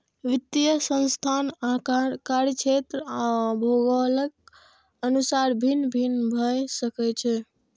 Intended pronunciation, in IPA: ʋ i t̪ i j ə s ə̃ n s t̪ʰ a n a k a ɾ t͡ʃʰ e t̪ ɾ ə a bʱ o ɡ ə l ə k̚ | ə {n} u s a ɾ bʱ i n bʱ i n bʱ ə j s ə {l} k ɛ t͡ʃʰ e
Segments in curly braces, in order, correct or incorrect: correct, incorrect: none

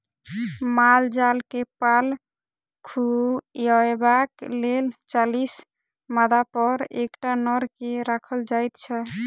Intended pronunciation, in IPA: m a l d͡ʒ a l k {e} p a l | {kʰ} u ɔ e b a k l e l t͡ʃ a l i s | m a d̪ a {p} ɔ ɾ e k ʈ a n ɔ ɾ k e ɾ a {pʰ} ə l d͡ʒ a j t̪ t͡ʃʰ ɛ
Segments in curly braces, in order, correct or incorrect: correct, correct, correct, incorrect: kʰ

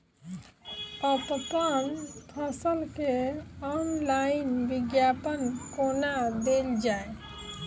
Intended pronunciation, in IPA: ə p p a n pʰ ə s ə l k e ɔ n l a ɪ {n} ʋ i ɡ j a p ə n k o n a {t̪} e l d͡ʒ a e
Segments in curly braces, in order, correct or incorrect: correct, incorrect: d̪

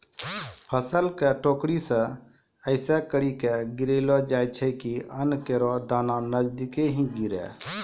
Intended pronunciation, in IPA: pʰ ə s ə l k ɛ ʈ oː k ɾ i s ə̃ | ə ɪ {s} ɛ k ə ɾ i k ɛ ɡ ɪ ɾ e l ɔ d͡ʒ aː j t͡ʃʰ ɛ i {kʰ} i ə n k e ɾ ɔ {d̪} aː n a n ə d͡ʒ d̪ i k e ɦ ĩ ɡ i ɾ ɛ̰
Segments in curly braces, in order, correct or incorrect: correct, incorrect: k, correct

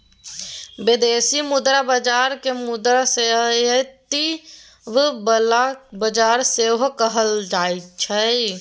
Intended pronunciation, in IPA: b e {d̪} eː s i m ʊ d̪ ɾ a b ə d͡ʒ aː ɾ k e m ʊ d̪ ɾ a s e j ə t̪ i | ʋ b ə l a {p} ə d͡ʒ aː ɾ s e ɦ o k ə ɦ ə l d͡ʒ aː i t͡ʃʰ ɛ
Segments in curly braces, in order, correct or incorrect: correct, incorrect: b

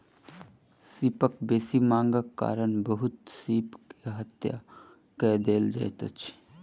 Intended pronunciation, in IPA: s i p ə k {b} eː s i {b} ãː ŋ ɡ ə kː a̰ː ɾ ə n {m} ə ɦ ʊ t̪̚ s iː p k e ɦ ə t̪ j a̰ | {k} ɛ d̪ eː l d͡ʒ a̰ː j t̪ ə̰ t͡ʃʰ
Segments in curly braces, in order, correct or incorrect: correct, incorrect: m, incorrect: b, correct

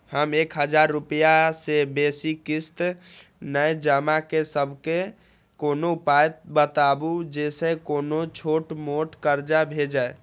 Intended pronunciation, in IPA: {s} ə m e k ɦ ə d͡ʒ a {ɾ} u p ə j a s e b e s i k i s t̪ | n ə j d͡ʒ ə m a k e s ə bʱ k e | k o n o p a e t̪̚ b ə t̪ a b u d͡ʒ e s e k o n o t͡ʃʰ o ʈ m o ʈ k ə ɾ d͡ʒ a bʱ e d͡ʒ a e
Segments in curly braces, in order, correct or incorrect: incorrect: h, incorrect: ɾː

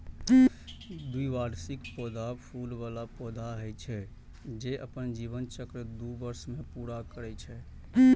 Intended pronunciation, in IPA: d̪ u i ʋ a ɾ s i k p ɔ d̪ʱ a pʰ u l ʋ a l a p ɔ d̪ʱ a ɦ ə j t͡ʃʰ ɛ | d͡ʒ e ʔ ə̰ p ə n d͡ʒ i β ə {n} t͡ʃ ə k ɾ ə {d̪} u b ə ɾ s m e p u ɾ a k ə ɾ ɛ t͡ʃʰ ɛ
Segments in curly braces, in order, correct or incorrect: correct, correct

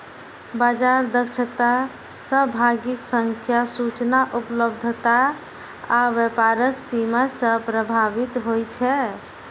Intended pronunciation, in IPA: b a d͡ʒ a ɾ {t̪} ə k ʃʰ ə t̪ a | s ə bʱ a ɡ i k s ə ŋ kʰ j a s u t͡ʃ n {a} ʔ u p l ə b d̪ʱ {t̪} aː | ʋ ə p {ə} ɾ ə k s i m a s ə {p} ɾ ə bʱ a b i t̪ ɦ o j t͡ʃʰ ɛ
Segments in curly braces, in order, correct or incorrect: incorrect: d̪, correct, correct, incorrect: a, correct

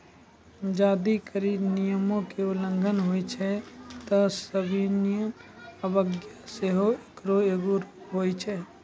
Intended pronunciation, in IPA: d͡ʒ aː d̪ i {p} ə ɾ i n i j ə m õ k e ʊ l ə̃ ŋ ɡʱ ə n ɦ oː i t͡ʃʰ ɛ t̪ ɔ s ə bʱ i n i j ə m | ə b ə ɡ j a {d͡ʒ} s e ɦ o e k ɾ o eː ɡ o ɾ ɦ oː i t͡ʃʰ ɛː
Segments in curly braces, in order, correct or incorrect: incorrect: k, incorrect: none

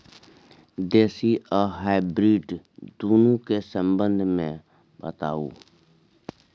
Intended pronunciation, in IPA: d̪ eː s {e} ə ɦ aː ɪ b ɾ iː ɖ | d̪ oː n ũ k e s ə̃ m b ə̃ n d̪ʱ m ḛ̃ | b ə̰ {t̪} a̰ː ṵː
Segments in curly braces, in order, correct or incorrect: incorrect: i, correct

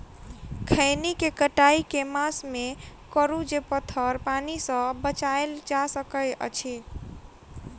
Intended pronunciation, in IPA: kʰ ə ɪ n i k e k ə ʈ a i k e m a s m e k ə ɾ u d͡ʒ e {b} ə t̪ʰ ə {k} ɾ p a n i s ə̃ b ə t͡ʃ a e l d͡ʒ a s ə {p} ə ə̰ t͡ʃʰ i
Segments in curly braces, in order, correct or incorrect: incorrect: p, incorrect: none, incorrect: k

